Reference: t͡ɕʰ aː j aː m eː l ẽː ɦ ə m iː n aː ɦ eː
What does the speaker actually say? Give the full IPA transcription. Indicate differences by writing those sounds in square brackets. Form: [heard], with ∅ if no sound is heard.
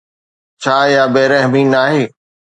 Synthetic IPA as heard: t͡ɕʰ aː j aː [b] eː [ɾ] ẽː ɦ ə m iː n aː ɦ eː